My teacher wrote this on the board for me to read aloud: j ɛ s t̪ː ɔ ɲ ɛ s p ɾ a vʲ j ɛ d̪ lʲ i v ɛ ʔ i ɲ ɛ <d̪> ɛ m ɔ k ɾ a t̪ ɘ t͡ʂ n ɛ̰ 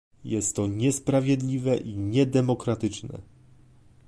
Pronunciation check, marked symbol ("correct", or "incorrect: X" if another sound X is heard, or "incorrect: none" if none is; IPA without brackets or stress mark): correct